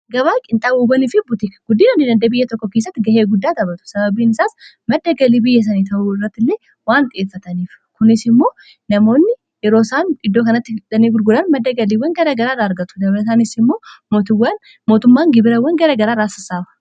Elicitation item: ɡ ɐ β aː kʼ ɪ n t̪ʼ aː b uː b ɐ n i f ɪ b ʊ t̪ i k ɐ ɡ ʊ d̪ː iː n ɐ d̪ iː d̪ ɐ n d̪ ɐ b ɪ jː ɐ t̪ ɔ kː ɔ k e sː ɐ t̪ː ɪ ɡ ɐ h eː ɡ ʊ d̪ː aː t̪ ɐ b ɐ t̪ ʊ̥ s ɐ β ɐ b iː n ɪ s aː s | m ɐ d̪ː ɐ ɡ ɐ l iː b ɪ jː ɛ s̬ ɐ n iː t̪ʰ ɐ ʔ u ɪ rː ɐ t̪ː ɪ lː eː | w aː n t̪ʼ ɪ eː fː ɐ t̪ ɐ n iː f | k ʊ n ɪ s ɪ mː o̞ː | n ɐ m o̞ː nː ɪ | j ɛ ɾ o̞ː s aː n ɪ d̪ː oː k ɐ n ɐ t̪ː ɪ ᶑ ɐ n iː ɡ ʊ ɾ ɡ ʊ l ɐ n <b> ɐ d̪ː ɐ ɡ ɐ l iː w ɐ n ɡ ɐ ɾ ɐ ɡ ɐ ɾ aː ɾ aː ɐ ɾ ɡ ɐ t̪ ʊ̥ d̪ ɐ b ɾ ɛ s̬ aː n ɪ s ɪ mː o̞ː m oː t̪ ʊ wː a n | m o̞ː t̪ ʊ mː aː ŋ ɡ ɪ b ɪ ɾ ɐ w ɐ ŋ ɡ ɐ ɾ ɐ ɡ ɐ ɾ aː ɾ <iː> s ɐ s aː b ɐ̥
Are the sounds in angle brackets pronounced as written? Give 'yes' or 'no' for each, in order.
no, no

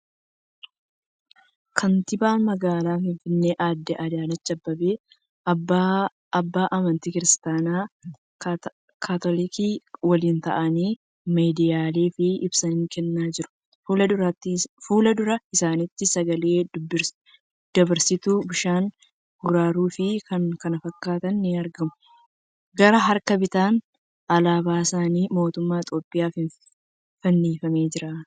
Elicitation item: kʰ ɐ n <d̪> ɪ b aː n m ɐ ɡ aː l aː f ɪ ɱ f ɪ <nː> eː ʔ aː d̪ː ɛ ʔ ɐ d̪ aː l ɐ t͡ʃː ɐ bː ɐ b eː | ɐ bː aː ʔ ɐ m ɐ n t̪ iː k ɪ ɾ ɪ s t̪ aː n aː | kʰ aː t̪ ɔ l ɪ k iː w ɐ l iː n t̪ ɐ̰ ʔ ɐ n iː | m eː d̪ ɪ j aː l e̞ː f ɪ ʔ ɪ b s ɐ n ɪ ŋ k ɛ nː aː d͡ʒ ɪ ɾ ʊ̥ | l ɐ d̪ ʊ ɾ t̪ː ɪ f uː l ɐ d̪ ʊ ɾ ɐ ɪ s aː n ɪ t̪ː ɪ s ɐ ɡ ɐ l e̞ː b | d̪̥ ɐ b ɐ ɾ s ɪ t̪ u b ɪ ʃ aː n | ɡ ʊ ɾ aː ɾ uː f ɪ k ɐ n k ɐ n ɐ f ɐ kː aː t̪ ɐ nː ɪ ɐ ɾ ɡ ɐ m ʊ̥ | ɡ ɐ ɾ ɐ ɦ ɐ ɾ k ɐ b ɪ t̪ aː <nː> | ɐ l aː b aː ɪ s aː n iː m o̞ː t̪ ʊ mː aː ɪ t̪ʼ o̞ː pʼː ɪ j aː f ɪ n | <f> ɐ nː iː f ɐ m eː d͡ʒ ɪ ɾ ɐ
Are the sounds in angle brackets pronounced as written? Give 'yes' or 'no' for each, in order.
no, yes, no, yes

